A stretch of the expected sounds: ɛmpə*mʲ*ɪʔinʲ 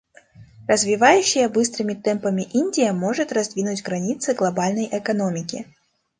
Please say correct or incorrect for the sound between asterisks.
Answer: correct